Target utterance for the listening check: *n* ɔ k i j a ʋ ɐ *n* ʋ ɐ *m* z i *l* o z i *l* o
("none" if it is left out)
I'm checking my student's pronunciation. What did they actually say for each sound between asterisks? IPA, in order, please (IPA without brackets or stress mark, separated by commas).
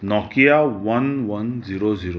n, n, n, ɾ, ɾ